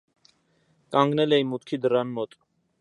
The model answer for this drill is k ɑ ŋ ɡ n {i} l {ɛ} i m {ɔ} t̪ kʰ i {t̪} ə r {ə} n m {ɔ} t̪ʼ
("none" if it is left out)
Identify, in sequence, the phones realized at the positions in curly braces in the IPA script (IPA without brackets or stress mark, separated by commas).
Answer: ɛ, ɛ, u, d̪, ɑ, ɔ